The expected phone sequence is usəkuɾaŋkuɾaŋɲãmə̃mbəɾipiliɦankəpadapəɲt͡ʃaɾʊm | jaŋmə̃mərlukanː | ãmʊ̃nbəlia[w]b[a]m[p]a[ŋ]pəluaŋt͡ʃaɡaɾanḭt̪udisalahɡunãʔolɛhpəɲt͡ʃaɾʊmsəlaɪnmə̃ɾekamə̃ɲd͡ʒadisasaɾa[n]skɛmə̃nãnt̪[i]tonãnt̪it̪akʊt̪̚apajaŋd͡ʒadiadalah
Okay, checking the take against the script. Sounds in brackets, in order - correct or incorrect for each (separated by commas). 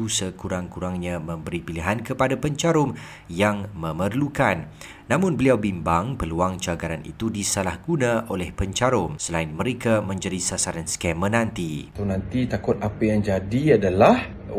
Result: correct, incorrect, incorrect, correct, correct, correct